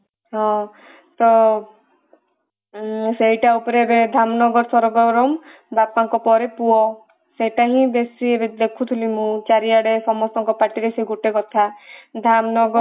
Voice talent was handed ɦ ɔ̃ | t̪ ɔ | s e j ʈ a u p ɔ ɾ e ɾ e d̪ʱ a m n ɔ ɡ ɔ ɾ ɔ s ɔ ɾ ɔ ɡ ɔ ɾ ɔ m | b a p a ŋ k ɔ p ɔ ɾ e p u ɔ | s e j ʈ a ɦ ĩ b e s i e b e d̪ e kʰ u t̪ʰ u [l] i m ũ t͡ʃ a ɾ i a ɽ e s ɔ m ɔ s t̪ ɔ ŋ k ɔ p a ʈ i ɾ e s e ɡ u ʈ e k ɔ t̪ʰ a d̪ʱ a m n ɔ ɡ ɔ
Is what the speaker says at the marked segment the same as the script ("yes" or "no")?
yes